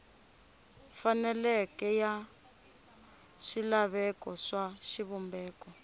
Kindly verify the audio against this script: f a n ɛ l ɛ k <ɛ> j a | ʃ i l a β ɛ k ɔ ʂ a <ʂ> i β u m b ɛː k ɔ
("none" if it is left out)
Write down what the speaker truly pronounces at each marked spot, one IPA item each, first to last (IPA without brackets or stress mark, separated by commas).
ɛ, ʃ